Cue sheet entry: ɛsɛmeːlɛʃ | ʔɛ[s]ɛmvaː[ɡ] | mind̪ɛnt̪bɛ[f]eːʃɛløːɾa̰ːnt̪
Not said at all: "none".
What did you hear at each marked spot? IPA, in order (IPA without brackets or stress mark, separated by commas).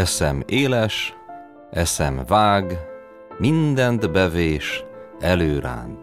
s, ɡ, v